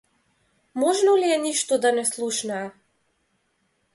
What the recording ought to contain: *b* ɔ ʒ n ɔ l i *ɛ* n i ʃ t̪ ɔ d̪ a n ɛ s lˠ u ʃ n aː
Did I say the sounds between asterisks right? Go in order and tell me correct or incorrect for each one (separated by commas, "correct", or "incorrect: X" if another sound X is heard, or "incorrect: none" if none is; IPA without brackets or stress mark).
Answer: incorrect: m, correct